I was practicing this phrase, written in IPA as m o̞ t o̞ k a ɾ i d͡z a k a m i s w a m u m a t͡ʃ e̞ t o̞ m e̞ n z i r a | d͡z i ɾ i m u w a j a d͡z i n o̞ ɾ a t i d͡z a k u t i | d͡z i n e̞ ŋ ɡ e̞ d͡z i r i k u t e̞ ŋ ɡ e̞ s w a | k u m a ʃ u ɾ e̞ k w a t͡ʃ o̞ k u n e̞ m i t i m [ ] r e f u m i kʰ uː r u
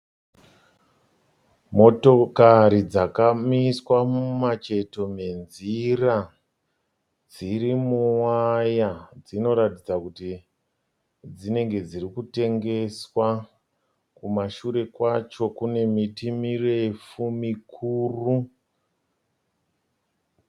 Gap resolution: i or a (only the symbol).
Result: i